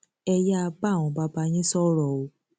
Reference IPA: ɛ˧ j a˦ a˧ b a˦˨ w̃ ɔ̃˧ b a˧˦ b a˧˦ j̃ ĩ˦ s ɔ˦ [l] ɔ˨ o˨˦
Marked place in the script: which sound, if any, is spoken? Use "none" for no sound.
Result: ɾ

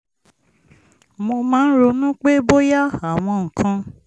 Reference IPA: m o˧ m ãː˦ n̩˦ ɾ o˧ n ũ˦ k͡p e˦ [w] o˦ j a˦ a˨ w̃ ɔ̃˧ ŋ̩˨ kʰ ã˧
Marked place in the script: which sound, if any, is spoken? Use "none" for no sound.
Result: b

